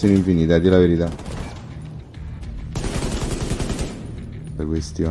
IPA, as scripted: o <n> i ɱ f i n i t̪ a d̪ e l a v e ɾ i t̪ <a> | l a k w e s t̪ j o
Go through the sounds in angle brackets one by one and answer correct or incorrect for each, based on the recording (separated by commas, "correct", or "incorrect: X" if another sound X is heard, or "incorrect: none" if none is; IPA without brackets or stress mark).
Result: correct, correct